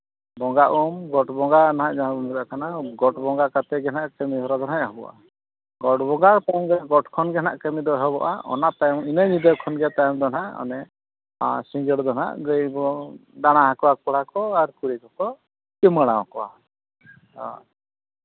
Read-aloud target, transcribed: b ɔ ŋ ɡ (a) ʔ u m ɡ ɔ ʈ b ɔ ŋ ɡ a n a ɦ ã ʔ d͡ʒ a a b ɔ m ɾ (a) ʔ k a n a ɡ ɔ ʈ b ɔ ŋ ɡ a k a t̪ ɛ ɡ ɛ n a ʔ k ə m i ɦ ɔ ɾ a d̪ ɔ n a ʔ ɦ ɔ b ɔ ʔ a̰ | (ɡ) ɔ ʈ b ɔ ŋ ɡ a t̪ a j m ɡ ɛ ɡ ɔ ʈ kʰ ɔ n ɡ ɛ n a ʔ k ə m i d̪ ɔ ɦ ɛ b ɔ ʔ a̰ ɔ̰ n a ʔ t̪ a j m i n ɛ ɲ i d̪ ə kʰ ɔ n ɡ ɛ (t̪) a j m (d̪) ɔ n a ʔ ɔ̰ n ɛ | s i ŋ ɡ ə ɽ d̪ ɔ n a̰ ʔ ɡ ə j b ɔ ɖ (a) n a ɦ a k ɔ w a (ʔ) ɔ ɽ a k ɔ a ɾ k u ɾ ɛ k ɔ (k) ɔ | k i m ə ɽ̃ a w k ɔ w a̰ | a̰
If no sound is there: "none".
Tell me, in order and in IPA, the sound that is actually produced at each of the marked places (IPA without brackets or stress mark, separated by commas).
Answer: a, a, ɡ, t̪, d̪, a, k, k